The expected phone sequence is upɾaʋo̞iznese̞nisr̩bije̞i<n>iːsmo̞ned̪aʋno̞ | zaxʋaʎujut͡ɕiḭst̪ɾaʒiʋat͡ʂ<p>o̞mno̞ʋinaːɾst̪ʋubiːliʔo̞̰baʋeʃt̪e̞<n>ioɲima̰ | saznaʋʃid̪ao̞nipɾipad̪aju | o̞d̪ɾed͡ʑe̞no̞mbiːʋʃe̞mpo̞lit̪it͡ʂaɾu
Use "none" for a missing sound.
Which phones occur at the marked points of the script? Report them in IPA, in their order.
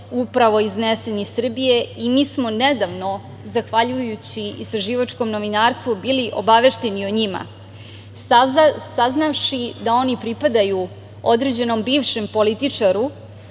m, k, n

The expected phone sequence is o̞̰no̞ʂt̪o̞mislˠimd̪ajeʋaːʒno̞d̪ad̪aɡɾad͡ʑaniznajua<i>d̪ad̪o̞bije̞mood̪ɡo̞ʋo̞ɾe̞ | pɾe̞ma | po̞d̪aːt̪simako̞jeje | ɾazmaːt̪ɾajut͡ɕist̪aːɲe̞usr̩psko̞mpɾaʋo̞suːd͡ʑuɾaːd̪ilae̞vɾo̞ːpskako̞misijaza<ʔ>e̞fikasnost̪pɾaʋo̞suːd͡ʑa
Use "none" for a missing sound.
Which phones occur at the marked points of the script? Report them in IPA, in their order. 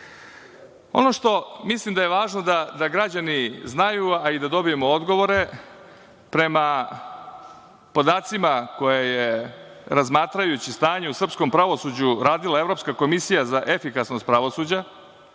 i, ʔ

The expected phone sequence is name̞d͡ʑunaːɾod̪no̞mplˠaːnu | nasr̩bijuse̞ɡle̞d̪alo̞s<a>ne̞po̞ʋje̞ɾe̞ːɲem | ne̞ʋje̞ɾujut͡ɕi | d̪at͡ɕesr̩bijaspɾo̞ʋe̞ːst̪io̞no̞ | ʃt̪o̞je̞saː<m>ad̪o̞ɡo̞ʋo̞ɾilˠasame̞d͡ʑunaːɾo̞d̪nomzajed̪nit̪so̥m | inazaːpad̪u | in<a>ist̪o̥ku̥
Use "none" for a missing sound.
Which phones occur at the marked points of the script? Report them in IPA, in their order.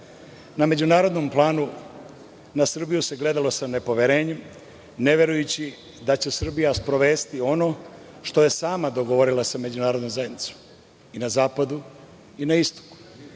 a, m, a

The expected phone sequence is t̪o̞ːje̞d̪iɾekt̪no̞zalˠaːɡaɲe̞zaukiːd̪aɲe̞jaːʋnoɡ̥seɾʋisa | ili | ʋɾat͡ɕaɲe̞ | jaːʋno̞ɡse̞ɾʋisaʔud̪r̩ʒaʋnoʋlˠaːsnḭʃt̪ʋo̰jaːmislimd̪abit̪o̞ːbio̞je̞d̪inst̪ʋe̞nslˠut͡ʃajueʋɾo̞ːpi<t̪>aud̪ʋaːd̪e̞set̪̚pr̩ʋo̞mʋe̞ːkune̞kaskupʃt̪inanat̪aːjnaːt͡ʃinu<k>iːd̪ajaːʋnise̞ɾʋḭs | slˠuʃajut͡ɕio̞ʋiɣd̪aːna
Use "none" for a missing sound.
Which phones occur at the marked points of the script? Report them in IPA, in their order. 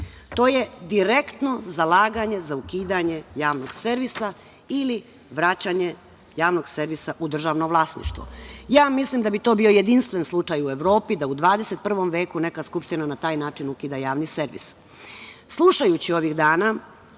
d̪, k

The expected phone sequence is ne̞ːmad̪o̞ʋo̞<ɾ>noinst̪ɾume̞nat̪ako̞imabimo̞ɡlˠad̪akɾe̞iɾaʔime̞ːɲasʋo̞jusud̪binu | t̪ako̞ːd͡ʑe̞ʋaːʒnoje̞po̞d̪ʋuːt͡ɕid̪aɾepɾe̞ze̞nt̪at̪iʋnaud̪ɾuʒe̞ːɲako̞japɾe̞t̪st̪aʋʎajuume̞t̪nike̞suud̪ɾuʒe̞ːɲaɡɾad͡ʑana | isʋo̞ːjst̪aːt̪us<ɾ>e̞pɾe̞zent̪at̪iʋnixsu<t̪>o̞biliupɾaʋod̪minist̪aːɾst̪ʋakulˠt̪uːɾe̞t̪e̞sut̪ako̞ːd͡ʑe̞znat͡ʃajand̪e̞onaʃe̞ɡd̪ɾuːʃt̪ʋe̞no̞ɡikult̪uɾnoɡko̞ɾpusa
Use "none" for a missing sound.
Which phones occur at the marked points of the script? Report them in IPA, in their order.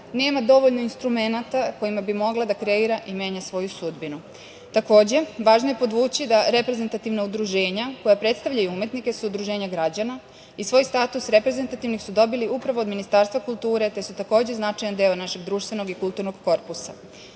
ʎ, ɾ, d̪

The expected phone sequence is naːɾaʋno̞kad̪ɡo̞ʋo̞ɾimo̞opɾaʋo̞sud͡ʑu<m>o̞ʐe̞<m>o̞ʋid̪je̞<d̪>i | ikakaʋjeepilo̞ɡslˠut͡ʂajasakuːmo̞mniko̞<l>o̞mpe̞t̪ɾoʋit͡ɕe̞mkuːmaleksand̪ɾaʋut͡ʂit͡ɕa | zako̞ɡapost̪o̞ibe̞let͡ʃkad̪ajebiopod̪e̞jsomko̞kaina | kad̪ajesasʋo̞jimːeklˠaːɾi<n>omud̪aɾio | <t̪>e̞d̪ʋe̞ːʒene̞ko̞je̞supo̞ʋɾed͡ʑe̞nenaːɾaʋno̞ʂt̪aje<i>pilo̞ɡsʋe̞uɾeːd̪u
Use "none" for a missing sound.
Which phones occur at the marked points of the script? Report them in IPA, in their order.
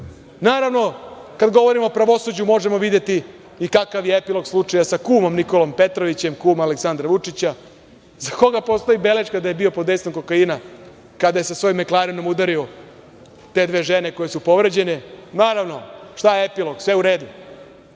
m, m, t̪, l, n, t̪, e

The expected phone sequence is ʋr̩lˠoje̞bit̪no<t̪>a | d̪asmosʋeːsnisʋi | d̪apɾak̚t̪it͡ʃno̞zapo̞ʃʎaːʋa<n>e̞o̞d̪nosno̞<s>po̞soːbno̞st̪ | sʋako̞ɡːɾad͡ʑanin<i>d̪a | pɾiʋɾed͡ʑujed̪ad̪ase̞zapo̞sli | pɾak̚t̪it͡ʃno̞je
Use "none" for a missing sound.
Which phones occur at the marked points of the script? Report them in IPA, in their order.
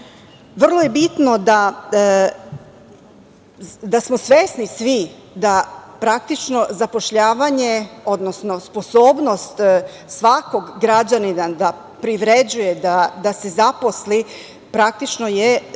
d̪, ɲ, s, a

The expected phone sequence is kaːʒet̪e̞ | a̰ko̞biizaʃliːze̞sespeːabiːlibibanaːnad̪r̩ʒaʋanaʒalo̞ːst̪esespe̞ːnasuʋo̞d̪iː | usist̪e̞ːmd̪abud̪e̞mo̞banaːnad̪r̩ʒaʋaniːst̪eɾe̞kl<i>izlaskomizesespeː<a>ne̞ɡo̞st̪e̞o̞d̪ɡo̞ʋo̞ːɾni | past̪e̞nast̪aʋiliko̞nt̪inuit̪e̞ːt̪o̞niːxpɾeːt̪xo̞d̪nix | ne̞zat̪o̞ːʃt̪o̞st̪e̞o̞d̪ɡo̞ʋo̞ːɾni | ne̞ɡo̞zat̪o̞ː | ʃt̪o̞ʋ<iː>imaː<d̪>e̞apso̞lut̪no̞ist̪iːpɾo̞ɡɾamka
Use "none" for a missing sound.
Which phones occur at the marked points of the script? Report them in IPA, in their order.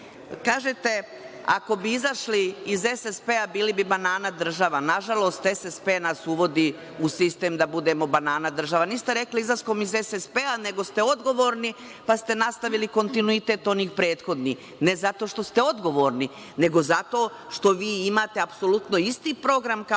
i, a, iː, t̪

